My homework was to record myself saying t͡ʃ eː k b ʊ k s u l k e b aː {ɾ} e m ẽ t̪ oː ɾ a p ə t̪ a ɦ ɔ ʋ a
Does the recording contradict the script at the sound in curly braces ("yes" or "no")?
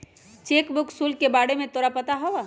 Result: yes